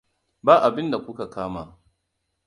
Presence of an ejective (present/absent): absent